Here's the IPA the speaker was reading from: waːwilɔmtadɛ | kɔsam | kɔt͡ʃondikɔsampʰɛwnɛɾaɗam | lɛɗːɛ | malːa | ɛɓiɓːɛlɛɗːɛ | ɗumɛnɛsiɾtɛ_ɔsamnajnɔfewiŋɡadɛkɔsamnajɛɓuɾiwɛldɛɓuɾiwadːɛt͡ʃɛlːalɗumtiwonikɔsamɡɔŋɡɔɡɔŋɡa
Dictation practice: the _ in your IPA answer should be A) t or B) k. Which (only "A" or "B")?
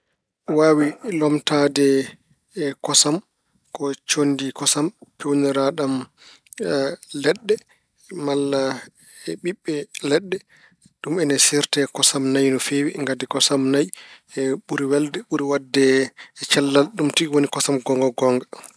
B